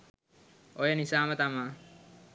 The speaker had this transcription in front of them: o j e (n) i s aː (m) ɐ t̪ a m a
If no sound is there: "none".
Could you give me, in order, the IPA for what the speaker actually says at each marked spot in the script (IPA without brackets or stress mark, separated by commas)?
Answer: n, m